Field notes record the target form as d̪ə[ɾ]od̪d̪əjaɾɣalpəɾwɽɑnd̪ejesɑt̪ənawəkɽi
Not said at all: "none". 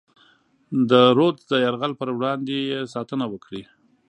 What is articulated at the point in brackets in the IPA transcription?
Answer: ɾ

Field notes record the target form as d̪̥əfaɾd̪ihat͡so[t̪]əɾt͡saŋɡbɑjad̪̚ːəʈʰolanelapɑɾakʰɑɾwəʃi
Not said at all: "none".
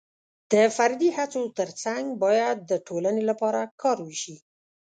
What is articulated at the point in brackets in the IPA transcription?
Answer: t̪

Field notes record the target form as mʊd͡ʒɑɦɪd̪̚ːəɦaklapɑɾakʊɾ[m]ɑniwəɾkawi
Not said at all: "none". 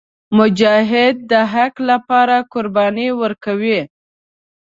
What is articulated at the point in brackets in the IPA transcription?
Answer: b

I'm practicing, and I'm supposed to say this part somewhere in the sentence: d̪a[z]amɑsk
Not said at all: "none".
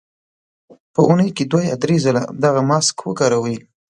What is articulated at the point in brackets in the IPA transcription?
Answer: ɣ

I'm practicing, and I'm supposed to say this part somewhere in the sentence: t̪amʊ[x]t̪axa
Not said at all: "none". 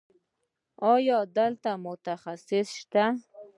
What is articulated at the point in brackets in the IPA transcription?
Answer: none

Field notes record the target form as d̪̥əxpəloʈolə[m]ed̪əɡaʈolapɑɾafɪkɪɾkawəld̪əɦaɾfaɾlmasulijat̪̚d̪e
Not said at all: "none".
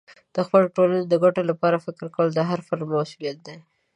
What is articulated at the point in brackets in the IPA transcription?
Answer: n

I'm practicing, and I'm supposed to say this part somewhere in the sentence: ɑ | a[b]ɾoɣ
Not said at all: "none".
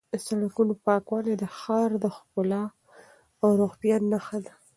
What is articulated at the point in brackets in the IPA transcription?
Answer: w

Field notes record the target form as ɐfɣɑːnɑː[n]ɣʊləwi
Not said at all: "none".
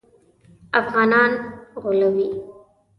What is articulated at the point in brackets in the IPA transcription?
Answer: n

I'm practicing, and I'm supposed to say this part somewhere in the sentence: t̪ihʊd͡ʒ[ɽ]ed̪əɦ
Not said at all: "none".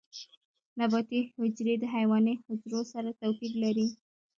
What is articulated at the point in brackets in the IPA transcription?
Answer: ɾ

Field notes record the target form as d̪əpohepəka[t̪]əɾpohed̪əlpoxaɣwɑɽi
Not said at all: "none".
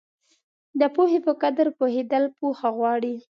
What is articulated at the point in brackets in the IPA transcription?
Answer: d̪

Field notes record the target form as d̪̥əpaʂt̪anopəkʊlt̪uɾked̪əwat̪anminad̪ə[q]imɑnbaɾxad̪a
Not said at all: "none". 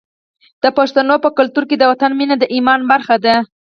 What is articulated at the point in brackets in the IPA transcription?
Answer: ʔ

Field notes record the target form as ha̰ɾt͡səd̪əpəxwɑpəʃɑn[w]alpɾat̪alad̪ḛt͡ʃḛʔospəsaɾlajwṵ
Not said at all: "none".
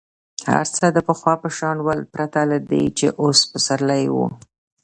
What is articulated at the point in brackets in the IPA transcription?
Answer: w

